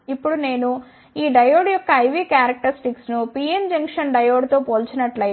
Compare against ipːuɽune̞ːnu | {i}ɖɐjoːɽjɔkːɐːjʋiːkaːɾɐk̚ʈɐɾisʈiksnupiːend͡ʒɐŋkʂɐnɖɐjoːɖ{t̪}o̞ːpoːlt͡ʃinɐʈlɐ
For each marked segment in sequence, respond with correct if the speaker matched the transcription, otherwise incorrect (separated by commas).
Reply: incorrect, correct